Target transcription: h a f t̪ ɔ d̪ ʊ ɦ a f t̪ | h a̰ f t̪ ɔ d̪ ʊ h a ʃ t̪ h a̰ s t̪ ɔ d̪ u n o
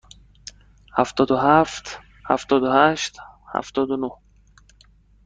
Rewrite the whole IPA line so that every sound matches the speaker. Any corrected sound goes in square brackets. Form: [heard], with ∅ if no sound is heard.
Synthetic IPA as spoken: h a f t̪ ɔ d̪ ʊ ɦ a f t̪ | h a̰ f t̪ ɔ d̪ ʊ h a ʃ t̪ h a̰ [f] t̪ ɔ d̪ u n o